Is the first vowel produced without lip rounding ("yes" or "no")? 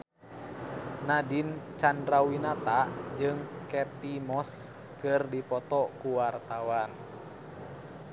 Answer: yes